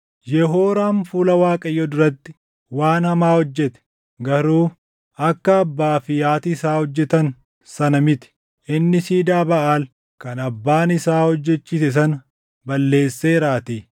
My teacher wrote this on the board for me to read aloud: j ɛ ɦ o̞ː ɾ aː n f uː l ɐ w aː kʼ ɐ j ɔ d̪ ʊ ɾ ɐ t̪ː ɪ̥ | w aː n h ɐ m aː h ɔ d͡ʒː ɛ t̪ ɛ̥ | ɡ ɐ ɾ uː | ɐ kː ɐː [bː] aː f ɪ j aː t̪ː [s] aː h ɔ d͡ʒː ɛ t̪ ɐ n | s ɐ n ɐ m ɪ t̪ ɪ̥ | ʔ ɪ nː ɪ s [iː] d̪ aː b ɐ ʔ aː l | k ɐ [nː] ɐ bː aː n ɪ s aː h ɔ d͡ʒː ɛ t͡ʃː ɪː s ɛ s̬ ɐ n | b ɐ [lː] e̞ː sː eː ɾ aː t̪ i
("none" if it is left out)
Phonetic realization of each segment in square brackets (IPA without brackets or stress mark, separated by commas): bː, s, iː, n, lː